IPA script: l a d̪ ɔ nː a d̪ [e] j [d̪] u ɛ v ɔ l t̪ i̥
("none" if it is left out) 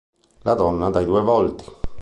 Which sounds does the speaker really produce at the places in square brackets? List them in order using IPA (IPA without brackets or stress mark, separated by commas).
a, d̪